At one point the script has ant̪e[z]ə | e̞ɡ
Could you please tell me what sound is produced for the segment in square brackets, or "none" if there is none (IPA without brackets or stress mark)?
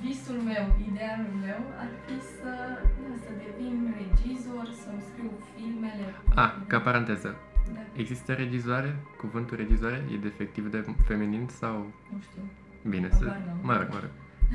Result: z